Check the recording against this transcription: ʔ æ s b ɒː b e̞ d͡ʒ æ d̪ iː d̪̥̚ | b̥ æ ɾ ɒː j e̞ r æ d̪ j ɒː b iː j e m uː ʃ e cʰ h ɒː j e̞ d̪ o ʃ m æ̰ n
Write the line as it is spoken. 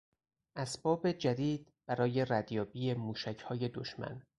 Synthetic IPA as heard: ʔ æ s b ɒː b e̞ d͡ʒ æ d̪ iː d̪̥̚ | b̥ æ ɾ ɒː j e̞ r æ d̪ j ɒː b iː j e m uː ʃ æ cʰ h ɒː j e̞ d̪ o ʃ m æ̰ n